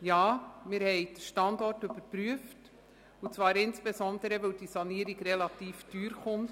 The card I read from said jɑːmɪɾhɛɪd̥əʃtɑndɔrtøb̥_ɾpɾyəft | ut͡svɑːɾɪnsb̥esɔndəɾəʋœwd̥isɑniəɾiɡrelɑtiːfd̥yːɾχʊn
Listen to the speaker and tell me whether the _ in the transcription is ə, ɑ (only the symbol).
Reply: ə